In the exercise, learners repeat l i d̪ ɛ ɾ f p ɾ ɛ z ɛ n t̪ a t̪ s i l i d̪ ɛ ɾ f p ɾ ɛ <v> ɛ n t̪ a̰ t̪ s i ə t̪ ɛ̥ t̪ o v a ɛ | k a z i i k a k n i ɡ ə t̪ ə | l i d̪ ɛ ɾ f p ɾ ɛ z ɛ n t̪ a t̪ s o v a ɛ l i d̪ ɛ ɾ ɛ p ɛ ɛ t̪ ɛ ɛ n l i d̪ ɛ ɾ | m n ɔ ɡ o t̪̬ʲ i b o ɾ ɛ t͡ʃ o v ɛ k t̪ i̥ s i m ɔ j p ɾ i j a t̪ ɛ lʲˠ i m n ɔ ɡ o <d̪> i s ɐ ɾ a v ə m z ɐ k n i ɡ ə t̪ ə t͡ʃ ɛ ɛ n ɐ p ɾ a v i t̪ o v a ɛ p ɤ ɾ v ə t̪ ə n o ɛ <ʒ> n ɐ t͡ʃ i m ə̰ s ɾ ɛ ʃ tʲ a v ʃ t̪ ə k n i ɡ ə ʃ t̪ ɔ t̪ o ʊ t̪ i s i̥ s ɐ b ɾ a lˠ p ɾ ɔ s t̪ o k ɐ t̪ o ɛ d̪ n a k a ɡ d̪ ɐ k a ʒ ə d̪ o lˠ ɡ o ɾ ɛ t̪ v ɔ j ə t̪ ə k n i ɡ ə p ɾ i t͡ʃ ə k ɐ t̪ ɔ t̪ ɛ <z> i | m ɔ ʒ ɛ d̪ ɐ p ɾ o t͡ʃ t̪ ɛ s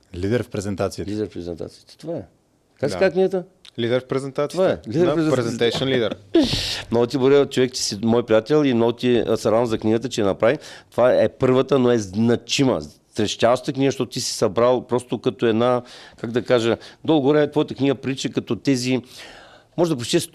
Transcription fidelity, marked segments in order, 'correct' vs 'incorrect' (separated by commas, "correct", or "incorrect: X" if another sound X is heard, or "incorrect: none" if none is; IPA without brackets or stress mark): incorrect: z, incorrect: t̪, incorrect: z, correct